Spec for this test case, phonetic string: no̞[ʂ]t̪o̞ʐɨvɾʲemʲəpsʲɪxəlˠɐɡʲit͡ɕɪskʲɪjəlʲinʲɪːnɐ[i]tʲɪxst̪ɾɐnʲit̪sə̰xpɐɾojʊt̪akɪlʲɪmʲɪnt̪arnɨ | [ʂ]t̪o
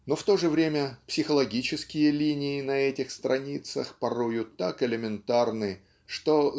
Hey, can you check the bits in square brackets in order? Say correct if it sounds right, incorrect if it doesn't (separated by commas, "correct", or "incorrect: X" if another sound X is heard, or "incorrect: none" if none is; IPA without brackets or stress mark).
incorrect: f, incorrect: ɛ, correct